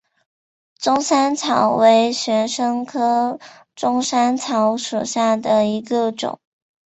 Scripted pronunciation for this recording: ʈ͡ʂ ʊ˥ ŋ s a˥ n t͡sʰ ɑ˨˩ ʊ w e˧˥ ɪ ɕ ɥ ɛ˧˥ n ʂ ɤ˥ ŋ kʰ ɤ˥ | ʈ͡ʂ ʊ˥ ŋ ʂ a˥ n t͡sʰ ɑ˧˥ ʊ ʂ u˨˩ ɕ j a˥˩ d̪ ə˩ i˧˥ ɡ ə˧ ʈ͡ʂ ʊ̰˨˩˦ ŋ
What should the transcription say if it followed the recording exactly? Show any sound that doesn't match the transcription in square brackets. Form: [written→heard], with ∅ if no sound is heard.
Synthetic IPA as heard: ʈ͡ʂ ʊ˥ ŋ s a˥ n t͡sʰ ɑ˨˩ ʊ w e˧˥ ɪ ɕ ɥ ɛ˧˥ n ʂ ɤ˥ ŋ kʰ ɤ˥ | ʈ͡ʂ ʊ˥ ŋ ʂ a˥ n t͡sʰ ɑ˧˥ ʊ ʂ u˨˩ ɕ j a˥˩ d̪ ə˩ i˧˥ ɡ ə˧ ʈ͡ʂ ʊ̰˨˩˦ ŋ